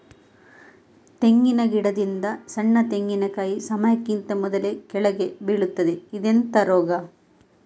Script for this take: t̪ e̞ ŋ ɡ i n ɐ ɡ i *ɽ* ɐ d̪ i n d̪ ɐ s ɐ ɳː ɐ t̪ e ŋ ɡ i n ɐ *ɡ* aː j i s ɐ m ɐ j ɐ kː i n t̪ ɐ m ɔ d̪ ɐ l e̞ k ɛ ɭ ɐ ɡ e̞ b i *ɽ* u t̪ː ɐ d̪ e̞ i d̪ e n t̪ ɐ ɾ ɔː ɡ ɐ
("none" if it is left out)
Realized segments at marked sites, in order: ɽ, k, ɭ

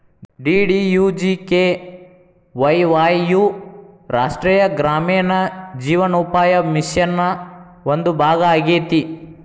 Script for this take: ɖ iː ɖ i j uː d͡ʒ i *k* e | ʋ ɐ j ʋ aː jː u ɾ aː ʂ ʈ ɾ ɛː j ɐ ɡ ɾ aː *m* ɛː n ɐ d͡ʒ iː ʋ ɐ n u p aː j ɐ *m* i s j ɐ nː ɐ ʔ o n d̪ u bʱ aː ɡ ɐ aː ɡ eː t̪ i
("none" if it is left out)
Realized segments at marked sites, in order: k, m, m

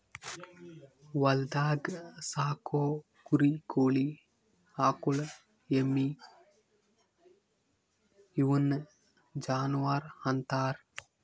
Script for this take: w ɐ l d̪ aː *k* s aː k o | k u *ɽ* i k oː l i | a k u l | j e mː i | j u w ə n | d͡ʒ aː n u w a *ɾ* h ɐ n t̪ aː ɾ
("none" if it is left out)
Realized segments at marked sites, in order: ɡ, ɾ, ɾ

